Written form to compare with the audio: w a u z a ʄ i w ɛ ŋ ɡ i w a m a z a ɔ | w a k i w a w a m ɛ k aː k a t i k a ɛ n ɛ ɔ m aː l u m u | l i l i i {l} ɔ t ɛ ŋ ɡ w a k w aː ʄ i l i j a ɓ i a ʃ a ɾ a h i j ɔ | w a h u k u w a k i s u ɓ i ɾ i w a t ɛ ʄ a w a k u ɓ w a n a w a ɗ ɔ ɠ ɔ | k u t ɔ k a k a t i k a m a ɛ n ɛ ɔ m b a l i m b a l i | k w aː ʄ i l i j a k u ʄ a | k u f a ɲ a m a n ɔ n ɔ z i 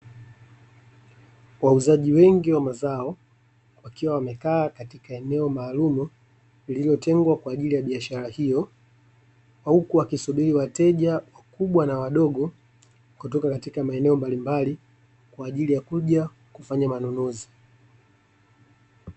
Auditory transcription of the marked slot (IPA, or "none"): l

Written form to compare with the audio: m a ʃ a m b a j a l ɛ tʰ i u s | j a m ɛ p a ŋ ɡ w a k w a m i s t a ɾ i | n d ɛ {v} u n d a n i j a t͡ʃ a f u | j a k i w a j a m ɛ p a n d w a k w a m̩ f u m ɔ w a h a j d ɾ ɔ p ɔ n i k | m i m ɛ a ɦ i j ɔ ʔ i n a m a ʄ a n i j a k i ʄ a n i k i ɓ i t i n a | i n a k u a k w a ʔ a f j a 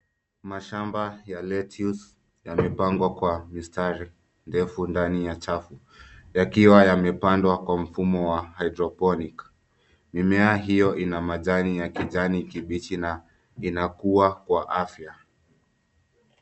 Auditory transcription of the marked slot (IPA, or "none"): f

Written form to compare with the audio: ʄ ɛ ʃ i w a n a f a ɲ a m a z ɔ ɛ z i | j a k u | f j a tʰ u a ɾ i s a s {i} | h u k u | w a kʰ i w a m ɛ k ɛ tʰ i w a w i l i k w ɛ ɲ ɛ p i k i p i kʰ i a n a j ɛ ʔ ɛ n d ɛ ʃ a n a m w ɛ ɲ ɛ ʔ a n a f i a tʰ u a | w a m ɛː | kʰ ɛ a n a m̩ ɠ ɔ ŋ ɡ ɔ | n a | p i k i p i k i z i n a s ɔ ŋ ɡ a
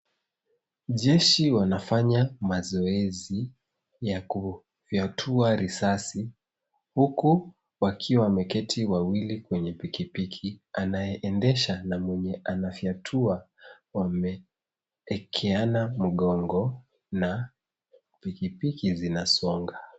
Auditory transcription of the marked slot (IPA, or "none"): i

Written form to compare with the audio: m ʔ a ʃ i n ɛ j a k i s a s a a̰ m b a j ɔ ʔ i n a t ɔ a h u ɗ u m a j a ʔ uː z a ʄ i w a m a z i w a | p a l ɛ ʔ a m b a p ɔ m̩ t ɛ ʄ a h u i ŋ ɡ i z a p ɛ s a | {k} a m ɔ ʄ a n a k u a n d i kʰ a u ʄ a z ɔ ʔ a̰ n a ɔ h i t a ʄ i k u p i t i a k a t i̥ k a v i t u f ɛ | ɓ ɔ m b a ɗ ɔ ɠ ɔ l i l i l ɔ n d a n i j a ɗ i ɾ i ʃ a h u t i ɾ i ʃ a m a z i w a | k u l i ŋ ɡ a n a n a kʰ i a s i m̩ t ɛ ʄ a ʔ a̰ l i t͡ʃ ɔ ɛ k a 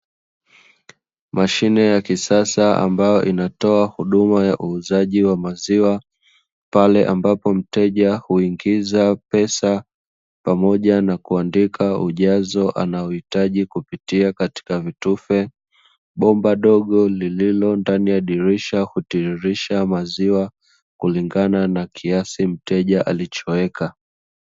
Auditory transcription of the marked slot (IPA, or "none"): p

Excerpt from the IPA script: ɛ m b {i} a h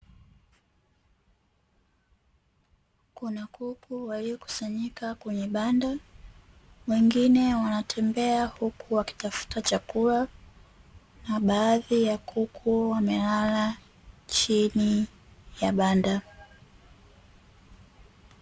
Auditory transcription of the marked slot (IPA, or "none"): ɛ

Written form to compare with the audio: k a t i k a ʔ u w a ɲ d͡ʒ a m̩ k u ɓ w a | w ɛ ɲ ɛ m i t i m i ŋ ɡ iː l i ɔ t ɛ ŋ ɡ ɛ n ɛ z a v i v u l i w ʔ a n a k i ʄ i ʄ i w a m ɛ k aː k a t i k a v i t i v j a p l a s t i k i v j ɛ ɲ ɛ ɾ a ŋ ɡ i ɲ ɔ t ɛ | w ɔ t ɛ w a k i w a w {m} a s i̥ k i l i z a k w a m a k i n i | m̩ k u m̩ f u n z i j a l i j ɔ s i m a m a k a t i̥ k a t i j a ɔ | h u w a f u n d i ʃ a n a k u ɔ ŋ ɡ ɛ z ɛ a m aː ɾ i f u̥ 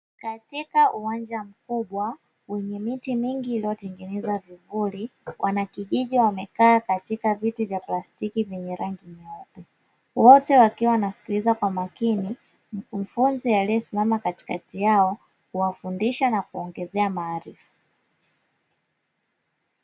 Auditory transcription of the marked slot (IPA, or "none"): n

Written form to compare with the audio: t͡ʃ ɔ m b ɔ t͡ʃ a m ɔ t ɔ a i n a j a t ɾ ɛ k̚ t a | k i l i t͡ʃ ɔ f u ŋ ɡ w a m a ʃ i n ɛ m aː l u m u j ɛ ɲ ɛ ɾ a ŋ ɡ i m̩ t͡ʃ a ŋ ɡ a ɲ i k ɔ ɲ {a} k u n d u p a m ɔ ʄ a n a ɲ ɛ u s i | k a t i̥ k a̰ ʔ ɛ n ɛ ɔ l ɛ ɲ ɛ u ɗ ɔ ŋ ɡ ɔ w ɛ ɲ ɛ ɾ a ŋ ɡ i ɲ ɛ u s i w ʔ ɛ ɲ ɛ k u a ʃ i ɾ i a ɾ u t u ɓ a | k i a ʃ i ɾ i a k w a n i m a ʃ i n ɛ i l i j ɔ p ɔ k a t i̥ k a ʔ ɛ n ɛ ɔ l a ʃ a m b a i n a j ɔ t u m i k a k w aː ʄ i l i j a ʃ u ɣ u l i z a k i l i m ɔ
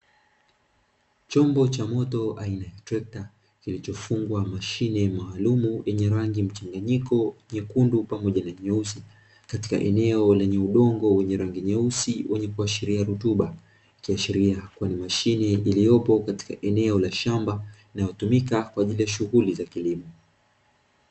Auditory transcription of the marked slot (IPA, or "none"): ɛ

